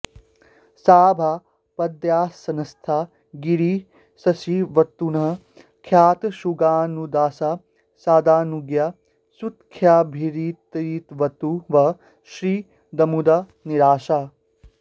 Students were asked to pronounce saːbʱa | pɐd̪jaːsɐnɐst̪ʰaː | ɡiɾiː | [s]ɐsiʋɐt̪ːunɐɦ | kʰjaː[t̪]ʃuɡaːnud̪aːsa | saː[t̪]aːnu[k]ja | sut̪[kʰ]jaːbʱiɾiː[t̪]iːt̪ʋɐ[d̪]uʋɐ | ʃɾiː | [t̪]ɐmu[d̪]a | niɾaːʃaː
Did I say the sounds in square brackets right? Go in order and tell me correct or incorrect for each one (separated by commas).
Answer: correct, correct, incorrect, incorrect, correct, correct, incorrect, incorrect, correct